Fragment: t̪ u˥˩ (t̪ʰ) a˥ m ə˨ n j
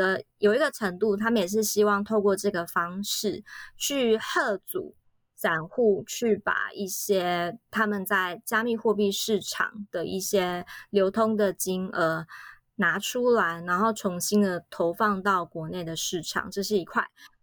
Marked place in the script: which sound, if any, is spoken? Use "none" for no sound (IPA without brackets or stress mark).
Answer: t̪ʰ